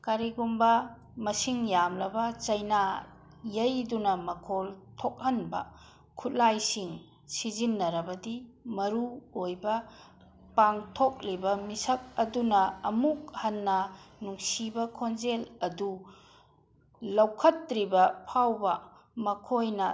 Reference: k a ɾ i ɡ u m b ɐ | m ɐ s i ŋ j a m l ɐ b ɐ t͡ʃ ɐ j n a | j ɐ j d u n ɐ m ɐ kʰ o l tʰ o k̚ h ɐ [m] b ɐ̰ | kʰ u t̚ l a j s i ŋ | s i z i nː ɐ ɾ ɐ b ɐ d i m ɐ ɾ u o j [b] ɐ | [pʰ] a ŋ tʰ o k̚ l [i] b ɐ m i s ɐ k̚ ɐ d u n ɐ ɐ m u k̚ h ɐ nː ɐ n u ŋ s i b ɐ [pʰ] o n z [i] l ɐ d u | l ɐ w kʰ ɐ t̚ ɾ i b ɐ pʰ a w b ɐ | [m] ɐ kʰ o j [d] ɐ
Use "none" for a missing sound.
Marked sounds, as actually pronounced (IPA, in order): n, b, p, i, kʰ, e, m, n

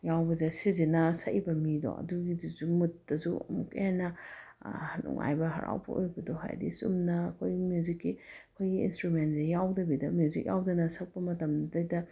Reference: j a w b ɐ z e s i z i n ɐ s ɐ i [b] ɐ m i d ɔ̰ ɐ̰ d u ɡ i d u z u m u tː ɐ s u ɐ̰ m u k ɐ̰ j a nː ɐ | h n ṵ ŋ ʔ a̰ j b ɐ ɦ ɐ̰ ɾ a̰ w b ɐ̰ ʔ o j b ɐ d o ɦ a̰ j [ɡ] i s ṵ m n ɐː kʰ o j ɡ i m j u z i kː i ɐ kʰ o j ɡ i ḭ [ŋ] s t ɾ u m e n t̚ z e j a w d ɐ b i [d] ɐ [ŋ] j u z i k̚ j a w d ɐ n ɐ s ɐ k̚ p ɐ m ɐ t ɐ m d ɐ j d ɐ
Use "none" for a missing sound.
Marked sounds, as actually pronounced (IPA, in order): b, d, n, d, m

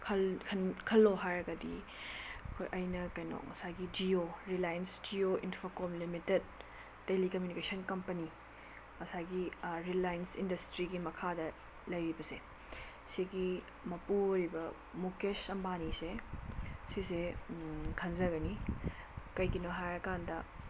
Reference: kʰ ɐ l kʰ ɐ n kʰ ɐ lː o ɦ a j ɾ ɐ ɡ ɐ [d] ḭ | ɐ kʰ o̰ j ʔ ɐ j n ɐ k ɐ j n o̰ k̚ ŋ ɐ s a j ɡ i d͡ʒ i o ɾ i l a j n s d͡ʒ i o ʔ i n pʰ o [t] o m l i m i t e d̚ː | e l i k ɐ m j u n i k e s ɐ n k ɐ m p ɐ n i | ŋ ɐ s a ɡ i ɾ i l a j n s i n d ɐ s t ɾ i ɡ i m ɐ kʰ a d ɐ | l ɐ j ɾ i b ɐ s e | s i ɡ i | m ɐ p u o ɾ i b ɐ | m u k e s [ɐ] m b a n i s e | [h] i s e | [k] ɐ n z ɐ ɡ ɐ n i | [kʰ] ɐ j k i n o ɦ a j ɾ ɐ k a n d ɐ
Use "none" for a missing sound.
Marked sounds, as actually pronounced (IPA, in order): d, k, ɐ, s, kʰ, k

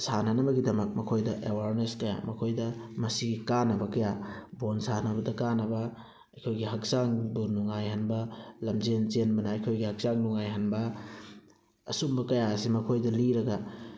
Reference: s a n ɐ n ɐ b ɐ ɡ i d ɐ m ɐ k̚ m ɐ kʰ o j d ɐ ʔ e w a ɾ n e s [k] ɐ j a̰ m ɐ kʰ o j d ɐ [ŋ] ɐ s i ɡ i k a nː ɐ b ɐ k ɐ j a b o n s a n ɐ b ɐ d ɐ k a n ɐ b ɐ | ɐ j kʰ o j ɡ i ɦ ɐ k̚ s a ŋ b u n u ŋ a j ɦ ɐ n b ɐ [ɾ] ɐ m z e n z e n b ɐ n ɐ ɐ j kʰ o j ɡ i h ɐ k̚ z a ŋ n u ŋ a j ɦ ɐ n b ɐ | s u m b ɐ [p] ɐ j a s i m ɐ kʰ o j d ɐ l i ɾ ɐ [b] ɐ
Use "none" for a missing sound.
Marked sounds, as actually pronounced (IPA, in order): k, m, l, k, ɡ

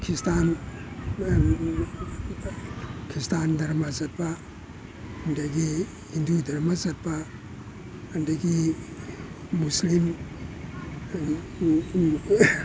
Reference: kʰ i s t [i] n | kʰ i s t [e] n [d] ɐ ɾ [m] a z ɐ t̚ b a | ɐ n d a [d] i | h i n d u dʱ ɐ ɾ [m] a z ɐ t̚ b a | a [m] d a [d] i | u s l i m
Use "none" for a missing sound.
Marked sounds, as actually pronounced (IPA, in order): a, a, d, m, ɡ, m, n, ɡ

